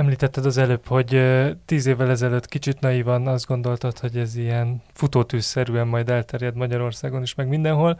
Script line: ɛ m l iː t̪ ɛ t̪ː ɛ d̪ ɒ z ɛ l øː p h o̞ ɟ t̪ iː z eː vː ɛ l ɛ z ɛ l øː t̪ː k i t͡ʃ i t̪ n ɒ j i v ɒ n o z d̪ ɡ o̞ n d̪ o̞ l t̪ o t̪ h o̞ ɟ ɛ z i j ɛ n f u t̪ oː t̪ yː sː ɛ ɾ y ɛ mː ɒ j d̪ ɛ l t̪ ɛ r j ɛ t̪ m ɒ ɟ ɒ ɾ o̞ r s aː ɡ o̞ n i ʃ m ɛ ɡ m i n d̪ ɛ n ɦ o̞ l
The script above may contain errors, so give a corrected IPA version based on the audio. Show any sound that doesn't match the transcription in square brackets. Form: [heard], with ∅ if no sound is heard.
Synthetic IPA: ɛ m l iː t̪ ɛ t̪ː ɛ d̪ ɒ z ɛ l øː p h o̞ ɟ t̪ iː z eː vː ɛ l ɛ z ɛ l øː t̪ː k i t͡ʃ i t̪ n ɒ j i v ɒ n [ɒ] z d̪ ɡ o̞ n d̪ o̞ l t̪ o t̪ h o̞ ɟ ɛ z i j ɛ n f u t̪ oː t̪ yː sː ɛ ɾ y ɛ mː ɒ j d̪ ɛ l t̪ ɛ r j ɛ [d̪] m ɒ ɟ ɒ ɾ o̞ r s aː ɡ o̞ n i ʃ m ɛ ɡ m i n d̪ ɛ n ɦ o̞ l